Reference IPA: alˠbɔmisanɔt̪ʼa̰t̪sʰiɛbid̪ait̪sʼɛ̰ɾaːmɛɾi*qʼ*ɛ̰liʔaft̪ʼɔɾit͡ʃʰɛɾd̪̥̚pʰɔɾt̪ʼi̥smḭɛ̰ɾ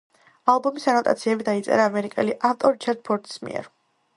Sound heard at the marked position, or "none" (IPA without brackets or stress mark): kʼ